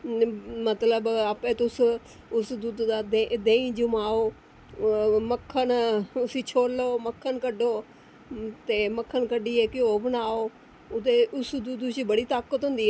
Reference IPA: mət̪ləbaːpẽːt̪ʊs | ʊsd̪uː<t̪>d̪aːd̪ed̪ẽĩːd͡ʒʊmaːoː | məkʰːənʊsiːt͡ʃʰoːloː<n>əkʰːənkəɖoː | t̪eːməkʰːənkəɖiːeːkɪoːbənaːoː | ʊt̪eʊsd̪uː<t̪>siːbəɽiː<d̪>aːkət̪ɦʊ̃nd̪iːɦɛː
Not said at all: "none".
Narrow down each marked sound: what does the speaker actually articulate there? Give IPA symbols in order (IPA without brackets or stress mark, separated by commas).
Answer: d̪, m, d̪, t̪